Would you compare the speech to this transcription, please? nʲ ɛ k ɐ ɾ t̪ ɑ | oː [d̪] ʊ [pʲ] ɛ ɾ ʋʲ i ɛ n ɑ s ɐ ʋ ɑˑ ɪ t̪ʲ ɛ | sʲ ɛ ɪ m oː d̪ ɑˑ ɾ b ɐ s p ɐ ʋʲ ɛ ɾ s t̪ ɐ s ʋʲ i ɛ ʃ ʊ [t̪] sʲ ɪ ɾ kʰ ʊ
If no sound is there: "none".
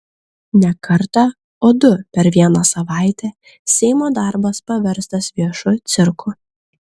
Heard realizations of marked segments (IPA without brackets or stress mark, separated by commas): d̪, pʲ, t̪